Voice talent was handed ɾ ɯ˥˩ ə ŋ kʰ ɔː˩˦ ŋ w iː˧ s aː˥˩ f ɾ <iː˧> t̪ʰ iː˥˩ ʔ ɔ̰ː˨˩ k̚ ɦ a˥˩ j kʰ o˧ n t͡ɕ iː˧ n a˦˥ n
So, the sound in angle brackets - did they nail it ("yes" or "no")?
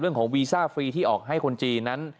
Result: yes